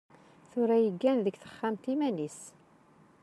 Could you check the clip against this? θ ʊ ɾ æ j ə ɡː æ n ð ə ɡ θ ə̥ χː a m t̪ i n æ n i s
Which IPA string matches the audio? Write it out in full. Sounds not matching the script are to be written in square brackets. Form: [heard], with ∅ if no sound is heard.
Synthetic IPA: θ ʊ ɾ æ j ə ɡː æ n ð ə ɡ θ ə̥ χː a m t̪ i [m] æ n i s